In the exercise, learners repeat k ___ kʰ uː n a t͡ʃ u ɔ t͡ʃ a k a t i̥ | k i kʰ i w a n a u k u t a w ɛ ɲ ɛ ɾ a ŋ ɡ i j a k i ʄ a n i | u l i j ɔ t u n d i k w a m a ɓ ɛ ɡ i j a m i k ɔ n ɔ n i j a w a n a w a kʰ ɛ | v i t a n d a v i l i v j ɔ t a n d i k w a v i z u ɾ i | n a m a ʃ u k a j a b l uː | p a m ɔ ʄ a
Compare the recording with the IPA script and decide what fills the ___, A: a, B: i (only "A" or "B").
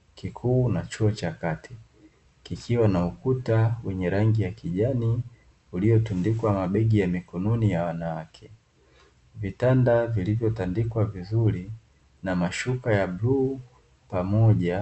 B